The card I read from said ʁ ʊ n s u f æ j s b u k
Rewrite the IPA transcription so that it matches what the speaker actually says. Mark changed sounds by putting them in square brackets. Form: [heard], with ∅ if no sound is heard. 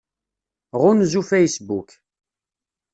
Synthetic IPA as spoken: ʁ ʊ n [z] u f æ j s b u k